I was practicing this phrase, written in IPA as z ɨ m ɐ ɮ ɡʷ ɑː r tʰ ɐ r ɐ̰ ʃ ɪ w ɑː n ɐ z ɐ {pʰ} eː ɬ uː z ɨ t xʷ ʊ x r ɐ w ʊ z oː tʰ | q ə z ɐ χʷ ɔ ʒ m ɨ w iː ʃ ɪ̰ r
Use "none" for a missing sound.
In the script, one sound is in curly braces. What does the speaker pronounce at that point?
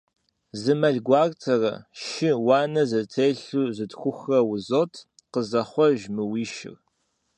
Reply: tʰ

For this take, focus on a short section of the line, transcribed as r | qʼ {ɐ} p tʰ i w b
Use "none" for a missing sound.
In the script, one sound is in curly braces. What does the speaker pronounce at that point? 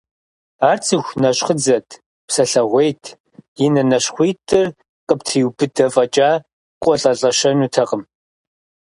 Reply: ə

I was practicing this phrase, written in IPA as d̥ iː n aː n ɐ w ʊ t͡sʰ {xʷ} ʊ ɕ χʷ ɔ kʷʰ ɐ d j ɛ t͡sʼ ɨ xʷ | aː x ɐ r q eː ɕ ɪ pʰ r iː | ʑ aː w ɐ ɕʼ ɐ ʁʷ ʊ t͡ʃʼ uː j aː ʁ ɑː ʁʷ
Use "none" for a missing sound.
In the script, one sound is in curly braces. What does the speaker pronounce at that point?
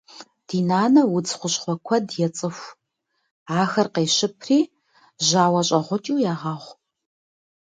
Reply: χʷ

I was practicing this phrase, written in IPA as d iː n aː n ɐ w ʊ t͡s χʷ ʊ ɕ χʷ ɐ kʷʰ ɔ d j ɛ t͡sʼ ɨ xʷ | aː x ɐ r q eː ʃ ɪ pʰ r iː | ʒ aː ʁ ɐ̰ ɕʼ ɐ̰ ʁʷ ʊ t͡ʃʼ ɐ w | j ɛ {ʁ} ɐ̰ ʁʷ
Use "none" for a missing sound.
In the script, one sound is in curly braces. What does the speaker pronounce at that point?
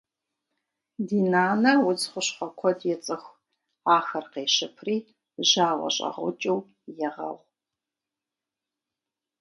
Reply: ʁ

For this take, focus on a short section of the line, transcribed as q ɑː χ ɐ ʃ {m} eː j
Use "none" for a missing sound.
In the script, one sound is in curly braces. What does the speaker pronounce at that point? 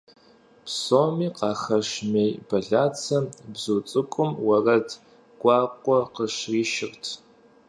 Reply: m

